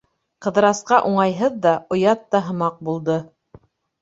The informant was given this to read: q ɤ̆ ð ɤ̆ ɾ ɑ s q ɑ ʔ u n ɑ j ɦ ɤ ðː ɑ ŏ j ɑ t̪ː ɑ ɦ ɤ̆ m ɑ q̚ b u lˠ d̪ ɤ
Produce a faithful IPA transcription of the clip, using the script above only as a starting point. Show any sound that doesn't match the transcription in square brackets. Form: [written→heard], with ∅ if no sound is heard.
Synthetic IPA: q ɤ̆ ð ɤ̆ ɾ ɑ s q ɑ ʔ u [n→ɴ] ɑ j ɦ ɤ ðː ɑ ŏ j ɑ t̪ː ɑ ɦ ɤ̆ m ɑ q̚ b u lˠ d̪ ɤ